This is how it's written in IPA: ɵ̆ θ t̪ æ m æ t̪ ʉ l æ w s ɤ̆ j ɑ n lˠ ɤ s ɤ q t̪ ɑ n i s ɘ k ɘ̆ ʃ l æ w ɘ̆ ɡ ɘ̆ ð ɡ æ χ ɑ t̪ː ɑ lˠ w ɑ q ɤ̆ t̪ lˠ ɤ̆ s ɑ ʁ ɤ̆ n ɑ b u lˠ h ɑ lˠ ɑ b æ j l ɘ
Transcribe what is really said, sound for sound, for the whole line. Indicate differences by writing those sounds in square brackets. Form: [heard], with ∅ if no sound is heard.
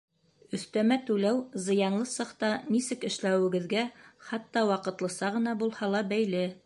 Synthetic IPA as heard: ɵ̆ θ t̪ æ m æ t̪ ʉ l æ w [z] ɤ̆ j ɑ n lˠ ɤ s ɤ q t̪ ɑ n i s ɘ k ɘ̆ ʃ l æ w ɘ̆ ɡ ɘ̆ ð ɡ æ χ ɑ t̪ː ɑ [∅] w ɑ q ɤ̆ t̪ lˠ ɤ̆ s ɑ ʁ ɤ̆ n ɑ b u lˠ h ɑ lˠ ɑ b æ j l ɘ

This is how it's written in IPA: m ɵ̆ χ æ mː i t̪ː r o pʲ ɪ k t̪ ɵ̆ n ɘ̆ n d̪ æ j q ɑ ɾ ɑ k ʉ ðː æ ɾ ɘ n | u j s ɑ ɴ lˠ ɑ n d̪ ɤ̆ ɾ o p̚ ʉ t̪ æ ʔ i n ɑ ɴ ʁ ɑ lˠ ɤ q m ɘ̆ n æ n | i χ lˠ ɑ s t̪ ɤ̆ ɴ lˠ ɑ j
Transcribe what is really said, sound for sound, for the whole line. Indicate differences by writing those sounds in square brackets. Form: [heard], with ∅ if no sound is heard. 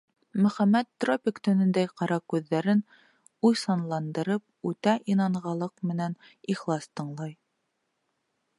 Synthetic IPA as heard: m ɵ̆ χ æ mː [æ] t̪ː r o pʲ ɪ k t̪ ɵ̆ n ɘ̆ n d̪ æ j q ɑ ɾ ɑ k ʉ ðː æ ɾ ɘ n | u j s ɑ [n] lˠ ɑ n d̪ ɤ̆ ɾ [ɤ] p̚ ʉ t̪ æ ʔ i n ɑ ɴ ʁ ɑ lˠ ɤ q m ɘ̆ n æ n | i χ lˠ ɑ s t̪ ɤ̆ ɴ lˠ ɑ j

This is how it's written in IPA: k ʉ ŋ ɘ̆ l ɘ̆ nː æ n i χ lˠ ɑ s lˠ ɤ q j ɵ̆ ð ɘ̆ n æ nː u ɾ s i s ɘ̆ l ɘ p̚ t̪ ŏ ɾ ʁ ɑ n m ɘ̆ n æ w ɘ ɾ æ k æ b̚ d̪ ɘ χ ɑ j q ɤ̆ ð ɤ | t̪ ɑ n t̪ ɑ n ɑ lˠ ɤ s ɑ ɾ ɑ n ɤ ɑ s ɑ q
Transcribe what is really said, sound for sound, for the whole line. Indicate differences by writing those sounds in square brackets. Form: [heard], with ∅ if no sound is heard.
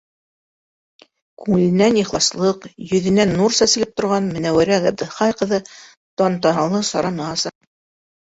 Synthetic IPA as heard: k ʉ ŋ ɘ̆ l ɘ̆ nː æ n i χ lˠ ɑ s lˠ ɤ q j ɵ̆ ð ɘ̆ n æ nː u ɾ s [æ] s ɘ̆ l ɘ p̚ t̪ ŏ ɾ ʁ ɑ n m ɘ̆ n æ w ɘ ɾ æ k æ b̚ d̪ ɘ χ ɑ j q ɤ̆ ð ɤ | t̪ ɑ n t̪ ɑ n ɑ lˠ ɤ s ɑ ɾ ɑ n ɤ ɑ s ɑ q

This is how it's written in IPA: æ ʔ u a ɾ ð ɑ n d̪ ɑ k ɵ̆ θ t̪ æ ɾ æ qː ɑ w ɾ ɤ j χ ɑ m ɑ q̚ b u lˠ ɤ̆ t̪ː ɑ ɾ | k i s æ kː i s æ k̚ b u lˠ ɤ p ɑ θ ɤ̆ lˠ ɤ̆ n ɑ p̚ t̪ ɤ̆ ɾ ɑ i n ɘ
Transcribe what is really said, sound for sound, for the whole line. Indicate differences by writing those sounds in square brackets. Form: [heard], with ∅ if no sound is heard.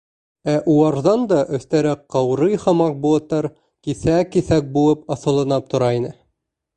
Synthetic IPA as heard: æ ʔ u [ɑ] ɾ ð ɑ n d̪ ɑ [ʔ] ɵ̆ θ t̪ æ ɾ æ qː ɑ w ɾ ɤ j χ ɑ m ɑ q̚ b u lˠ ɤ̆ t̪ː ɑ ɾ | k i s æ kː i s æ k̚ b u lˠ ɤ p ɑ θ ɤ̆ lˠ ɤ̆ n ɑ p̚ t̪ [ŏ] ɾ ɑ i n ɘ

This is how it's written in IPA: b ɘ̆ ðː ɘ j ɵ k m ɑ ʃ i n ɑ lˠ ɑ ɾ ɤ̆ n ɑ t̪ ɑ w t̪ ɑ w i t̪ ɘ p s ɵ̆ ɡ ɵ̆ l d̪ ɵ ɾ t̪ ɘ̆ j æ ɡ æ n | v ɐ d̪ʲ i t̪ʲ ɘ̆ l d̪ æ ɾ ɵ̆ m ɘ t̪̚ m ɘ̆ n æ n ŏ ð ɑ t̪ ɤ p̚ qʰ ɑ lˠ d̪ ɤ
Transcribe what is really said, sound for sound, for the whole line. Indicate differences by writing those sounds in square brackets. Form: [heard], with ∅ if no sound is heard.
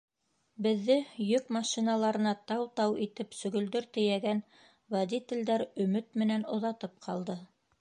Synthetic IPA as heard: b ɘ̆ ðː ɘ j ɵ k m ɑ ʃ i n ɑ lˠ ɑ ɾ ɤ̆ n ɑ t̪ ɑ w t̪ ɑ w i t̪ ɘ p s ɵ̆ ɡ ɵ̆ l d̪ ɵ ɾ t̪ ɘ̆ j æ ɡ æ n | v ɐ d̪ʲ i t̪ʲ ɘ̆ l d̪ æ ɾ ɵ̆ m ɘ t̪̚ m ɘ̆ n æ n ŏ ð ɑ t̪ ɤ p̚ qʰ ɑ lˠ d̪ ɤ

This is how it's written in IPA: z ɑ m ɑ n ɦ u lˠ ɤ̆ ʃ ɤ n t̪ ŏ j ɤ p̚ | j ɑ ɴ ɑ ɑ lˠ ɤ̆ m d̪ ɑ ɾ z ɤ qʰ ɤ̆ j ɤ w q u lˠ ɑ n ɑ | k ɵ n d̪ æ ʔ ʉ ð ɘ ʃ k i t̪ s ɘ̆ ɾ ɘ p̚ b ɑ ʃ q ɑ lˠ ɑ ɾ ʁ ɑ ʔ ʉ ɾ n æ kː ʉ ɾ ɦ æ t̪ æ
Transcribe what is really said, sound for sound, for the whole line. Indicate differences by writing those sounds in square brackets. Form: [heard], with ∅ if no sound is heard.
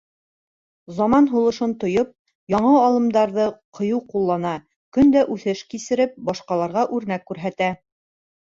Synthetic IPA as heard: z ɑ m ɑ n ɦ u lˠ ɤ̆ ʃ ɤ n t̪ ŏ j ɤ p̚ | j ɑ ɴ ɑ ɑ lˠ ɤ̆ m d̪ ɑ ɾ [ð] ɤ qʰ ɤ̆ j ɤ w q u [lˠː] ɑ n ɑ | k ɵ n d̪ æ ʔ ʉ [θ] ɘ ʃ k i [∅] s ɘ̆ ɾ ɘ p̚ b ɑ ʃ q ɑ lˠ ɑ ɾ ʁ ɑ ʔ ʉ ɾ n æ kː ʉ ɾ ɦ æ t̪ æ

